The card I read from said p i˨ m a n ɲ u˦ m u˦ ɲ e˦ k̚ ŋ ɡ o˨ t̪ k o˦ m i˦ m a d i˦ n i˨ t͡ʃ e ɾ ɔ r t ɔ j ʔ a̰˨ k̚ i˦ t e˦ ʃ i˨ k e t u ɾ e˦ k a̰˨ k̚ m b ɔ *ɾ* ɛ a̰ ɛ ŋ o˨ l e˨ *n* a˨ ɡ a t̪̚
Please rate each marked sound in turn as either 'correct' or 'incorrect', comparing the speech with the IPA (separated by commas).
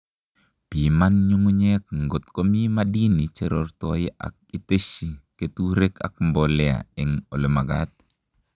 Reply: incorrect, incorrect